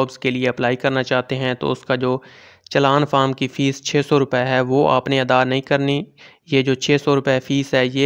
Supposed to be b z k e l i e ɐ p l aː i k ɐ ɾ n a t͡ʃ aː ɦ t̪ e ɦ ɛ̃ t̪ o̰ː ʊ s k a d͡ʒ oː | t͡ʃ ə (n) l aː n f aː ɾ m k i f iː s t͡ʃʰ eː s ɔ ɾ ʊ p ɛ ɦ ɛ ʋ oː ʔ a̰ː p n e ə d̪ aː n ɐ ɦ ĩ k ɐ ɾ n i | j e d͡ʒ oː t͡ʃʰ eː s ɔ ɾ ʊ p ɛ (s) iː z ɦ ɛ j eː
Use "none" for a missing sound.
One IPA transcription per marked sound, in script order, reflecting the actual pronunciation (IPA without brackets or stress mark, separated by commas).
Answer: none, f